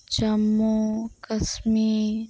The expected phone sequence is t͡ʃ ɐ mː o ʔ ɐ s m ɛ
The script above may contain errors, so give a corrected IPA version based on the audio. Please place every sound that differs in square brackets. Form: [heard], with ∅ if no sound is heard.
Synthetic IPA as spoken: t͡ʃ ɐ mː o [k] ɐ s m [i]